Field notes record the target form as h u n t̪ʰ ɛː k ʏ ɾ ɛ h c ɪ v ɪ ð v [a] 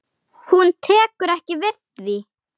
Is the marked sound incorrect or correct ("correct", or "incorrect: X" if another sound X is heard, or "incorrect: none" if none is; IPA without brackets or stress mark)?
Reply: incorrect: i